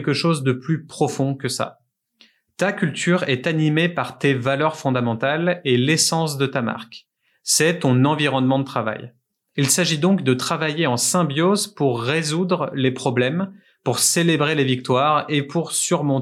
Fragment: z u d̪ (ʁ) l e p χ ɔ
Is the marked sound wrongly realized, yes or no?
no